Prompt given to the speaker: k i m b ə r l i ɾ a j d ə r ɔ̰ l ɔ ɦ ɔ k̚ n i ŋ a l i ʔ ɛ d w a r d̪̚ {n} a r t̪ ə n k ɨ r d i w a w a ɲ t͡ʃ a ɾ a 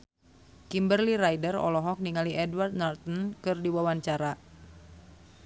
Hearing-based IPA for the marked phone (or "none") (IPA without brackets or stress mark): n